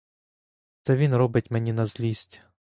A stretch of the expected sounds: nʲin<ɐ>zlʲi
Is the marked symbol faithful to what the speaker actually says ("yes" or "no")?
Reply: yes